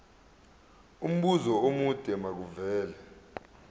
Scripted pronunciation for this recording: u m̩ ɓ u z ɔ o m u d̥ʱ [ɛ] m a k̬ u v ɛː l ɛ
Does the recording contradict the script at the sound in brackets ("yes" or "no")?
no